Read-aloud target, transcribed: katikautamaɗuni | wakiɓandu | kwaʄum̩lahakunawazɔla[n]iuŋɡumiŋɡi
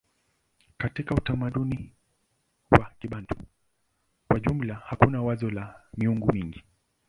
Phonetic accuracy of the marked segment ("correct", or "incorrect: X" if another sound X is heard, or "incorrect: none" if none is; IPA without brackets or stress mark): incorrect: m